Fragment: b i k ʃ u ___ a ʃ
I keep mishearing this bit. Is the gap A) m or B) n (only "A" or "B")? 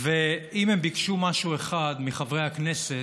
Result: A